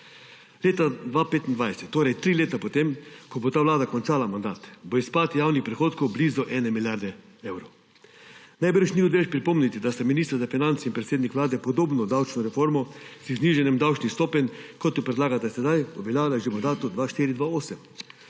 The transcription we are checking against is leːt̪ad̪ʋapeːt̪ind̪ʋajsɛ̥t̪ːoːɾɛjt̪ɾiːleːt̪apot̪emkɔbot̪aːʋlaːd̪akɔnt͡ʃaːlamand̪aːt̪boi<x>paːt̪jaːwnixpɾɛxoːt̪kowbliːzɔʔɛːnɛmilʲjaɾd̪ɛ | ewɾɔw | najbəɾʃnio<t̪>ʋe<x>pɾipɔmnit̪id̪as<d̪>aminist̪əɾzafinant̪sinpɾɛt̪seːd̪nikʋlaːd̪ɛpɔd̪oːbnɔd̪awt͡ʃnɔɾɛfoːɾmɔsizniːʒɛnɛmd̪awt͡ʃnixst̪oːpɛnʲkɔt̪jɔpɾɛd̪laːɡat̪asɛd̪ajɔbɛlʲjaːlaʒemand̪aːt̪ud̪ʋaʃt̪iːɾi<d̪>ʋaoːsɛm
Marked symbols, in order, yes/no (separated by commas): no, no, no, no, yes